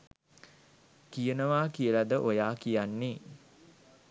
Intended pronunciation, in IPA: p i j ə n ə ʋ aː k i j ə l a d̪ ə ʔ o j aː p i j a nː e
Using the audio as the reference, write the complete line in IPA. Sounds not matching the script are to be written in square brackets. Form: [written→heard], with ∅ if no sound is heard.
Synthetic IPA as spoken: [p→k] i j ə n ə ʋ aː k i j ə l a d̪ ə ʔ o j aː [p→k] i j a nː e